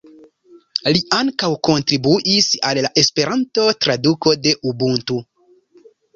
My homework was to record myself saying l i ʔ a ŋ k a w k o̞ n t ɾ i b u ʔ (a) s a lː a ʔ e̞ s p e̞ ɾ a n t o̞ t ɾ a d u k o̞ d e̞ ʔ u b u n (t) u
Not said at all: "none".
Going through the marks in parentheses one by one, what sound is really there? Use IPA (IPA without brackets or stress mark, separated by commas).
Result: i, t